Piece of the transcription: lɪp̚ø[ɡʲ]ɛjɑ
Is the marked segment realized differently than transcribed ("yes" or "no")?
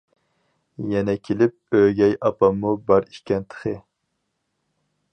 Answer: no